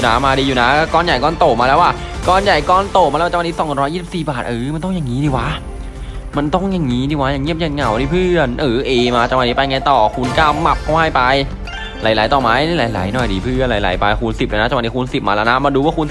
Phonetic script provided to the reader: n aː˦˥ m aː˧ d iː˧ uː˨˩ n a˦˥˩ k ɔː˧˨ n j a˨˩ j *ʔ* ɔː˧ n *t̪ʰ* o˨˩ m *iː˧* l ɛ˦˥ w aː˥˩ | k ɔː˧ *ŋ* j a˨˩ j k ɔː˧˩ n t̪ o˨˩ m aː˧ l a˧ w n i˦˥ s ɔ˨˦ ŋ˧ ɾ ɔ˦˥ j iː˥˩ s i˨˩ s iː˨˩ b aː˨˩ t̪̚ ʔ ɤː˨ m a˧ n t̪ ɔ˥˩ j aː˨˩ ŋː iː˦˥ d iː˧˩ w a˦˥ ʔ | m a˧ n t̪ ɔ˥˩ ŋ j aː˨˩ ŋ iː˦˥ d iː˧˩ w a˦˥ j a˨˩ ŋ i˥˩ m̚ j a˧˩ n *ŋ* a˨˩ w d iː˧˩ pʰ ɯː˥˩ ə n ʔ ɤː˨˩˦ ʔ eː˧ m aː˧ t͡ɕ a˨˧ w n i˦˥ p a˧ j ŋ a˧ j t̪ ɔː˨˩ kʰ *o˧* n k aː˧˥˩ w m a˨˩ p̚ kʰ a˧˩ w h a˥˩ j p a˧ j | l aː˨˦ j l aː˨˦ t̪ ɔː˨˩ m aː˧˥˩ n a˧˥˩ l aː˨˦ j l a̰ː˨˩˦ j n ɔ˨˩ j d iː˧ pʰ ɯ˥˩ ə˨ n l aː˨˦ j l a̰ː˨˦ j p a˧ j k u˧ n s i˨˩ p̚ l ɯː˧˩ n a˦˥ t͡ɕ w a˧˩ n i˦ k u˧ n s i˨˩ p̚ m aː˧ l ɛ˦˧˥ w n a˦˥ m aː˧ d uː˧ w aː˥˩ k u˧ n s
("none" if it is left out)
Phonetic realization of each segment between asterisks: k, t̪, aː˧, n, ŋ, u˧

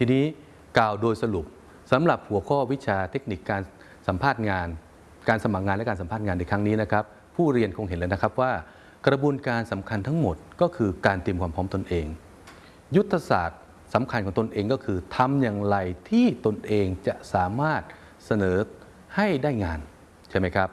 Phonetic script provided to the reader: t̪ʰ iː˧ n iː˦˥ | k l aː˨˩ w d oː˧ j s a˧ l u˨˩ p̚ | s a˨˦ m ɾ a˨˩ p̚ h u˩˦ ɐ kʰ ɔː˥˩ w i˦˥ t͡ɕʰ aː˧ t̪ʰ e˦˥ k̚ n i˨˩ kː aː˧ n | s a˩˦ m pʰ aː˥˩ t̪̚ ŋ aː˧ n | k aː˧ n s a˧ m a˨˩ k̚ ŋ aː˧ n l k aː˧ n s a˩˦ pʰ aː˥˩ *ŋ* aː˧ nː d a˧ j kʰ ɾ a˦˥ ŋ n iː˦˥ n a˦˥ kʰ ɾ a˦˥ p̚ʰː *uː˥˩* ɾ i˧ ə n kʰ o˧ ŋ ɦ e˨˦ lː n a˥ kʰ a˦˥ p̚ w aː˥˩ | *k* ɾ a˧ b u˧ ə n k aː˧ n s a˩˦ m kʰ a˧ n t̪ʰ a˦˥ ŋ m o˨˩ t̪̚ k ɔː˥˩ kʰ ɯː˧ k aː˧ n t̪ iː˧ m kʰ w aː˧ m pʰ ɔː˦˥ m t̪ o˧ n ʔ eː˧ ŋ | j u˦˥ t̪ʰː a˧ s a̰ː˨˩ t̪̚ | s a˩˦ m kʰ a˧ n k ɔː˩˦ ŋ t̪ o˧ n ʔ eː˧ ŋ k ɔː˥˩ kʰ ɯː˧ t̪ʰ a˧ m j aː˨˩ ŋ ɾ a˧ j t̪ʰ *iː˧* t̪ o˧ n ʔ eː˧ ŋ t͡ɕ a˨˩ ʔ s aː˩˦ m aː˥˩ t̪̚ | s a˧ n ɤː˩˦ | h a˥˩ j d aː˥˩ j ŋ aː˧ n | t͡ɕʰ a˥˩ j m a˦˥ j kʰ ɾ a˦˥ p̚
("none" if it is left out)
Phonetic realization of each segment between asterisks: ŋ, uː˥˩, k, iː˥˩

